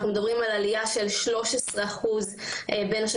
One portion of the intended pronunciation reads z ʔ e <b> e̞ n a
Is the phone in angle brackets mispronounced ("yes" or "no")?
no